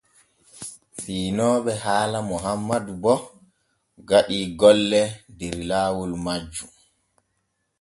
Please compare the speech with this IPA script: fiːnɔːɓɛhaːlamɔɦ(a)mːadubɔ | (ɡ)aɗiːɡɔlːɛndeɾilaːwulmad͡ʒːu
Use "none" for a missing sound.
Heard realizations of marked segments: a, ɡ

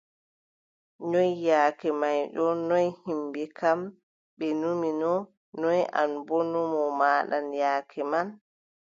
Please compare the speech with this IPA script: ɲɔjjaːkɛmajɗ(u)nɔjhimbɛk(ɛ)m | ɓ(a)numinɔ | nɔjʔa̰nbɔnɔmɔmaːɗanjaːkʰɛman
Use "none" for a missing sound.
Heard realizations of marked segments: ɔ, a, ɛ

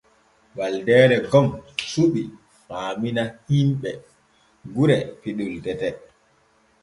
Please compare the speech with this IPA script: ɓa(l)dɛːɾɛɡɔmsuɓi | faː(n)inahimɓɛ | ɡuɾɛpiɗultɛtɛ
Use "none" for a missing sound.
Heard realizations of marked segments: l, m

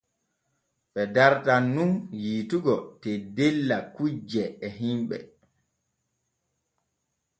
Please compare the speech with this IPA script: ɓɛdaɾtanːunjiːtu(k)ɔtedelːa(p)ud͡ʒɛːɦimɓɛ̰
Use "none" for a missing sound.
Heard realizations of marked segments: ɡ, k

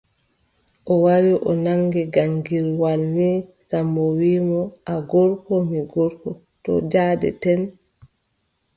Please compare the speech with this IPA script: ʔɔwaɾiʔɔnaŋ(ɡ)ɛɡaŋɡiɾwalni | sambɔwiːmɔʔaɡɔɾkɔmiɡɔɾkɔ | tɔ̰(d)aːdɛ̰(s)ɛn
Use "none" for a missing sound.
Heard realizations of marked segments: ɡ, d͡ʒ, t

